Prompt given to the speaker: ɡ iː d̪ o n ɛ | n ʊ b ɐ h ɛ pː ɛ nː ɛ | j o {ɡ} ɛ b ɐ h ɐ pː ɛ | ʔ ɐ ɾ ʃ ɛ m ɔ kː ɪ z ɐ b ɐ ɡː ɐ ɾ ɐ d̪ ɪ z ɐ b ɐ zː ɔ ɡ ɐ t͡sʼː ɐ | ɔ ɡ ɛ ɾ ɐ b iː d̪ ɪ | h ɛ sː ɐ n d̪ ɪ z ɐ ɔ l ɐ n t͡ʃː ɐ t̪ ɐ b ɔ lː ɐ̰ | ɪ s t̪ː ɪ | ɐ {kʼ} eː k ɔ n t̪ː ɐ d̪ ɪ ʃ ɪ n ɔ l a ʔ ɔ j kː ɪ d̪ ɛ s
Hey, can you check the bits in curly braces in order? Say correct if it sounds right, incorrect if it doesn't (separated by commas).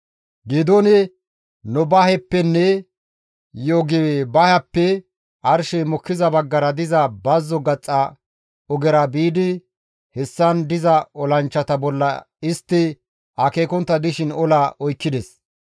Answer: correct, incorrect